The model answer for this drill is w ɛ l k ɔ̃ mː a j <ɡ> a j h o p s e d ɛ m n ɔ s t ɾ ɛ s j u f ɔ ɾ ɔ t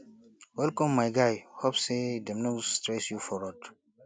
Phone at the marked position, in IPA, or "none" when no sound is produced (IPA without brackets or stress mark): ɡ